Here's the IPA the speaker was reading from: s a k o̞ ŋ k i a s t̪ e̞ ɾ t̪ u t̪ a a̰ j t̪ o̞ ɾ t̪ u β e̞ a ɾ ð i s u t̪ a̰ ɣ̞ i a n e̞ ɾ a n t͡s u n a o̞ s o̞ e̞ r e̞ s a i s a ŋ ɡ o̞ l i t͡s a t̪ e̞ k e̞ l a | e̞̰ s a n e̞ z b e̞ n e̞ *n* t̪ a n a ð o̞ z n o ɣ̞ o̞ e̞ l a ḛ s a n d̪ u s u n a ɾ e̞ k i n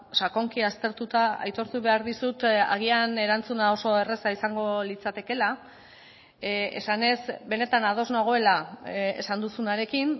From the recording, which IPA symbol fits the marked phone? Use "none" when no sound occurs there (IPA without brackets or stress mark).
none